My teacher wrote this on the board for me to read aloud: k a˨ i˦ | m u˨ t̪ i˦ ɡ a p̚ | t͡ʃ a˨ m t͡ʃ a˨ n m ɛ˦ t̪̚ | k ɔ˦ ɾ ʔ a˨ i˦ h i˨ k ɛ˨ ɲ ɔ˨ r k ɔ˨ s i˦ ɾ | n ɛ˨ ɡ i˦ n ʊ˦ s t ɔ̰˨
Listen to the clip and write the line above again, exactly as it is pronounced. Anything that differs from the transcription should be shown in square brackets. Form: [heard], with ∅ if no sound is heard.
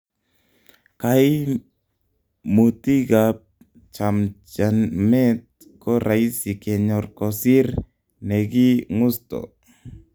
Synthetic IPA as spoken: k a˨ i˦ | m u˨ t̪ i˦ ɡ a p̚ | t͡ʃ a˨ m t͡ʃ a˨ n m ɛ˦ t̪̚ | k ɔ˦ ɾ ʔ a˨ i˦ [s] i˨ k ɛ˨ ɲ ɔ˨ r k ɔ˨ s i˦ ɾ | n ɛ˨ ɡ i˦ [ŋ] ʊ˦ s t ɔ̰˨